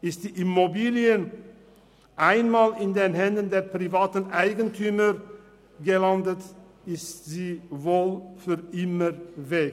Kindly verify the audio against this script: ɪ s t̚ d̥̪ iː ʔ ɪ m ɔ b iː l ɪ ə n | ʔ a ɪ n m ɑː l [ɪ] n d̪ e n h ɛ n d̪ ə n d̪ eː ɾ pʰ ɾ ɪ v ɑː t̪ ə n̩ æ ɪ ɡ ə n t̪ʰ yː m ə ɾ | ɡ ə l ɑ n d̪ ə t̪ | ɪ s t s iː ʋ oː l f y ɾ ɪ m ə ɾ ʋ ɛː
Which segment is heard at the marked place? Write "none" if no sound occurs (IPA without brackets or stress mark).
ɪ